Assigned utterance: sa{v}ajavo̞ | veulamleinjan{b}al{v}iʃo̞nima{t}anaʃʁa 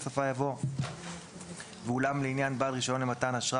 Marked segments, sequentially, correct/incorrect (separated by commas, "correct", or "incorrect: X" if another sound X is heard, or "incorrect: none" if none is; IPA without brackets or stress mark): incorrect: f, correct, incorrect: ʁ, correct